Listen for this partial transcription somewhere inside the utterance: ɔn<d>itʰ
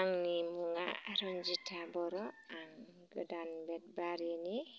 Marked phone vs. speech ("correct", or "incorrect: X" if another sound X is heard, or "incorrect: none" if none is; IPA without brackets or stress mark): incorrect: d͡ʒ